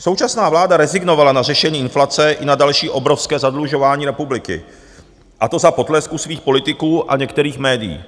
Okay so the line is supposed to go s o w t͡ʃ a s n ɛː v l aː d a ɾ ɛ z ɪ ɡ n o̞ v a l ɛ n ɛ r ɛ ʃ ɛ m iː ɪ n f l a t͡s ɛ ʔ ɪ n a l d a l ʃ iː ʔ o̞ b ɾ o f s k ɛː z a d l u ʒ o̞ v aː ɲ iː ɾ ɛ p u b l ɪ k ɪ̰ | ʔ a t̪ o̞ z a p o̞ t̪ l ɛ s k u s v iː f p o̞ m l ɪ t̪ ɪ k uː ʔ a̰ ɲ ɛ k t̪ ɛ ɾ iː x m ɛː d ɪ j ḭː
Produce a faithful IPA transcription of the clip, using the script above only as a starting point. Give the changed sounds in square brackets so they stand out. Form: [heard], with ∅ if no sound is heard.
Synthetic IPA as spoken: s o w t͡ʃ a s n [aː] v l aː d a ɾ ɛ z ɪ ɡ n o̞ v a l [a] n [a] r ɛ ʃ ɛ [ɲ] iː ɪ n f l a t͡s ɛ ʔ ɪ n a [∅] d a l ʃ iː ʔ o̞ b ɾ o f s k ɛː z a d l u ʒ o̞ v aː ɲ iː ɾ ɛ p u b l ɪ k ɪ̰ | ʔ a t̪ o̞ z a p o̞ t̪ l ɛ s k u s v iː [x] p o̞ [∅] l ɪ t̪ ɪ k uː ʔ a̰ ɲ ɛ k t̪ ɛ ɾ iː x m ɛː d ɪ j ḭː